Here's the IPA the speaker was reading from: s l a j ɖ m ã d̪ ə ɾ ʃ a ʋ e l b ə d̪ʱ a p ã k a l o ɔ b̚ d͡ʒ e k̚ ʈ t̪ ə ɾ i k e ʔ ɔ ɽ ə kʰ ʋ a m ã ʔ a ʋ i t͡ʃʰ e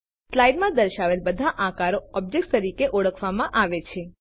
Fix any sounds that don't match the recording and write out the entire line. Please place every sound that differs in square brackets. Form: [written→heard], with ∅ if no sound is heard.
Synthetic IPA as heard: s l a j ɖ m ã d̪ ə ɾ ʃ a ʋ e l b ə d̪ʱ a [p→ʔ] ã k a [l→ɾ] o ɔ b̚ d͡ʒ e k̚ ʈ t̪ ə ɾ i k e ʔ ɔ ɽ ə kʰ ʋ a m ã ʔ a ʋ [i→e] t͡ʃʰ e